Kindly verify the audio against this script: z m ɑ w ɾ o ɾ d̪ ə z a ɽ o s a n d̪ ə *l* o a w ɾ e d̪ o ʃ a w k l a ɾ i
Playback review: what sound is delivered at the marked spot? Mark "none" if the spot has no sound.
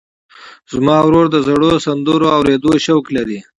ɾ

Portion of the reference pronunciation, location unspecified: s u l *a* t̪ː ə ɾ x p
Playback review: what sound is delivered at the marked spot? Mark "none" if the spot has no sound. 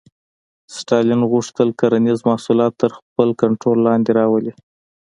ɑ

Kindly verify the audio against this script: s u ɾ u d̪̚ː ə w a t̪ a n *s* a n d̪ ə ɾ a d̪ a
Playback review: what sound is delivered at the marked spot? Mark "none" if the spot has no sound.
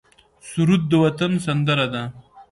s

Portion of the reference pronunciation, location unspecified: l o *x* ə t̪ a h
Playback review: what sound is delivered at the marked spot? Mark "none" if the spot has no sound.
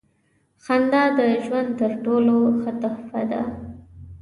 x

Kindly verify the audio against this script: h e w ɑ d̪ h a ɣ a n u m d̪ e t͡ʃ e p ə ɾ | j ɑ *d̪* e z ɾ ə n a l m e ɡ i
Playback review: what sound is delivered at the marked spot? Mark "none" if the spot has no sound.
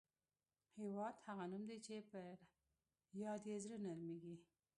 d̪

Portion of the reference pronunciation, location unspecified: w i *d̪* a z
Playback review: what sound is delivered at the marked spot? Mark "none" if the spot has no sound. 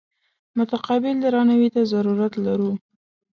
t̪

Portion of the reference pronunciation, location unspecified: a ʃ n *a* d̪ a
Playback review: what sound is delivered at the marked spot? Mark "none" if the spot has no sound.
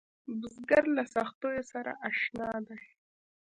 ɑ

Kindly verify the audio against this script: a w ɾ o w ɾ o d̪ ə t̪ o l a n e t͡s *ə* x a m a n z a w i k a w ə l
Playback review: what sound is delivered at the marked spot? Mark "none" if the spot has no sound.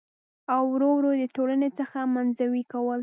ə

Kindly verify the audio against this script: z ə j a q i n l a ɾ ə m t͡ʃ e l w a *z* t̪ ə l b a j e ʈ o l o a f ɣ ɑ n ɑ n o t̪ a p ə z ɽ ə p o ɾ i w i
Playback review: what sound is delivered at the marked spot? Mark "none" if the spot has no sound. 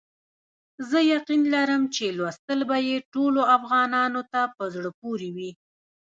s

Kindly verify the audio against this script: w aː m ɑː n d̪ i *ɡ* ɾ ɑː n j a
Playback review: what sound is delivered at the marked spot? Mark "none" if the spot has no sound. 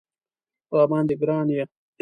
ɡ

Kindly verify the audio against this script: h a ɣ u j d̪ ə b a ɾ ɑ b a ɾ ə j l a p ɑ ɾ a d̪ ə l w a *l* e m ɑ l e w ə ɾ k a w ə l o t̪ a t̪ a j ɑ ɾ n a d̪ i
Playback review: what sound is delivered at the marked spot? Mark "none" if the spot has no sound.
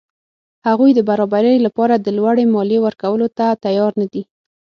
ɽ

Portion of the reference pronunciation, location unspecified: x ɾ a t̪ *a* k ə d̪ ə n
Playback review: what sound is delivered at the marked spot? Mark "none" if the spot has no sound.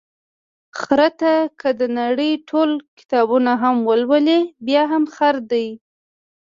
a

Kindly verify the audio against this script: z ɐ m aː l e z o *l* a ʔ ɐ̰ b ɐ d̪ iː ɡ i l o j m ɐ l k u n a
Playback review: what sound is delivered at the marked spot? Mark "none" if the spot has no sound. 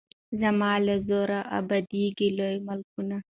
ɾ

